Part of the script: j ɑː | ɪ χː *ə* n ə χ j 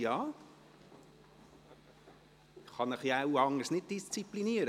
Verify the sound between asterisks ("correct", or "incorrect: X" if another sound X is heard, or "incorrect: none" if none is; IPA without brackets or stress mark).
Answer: incorrect: ɑ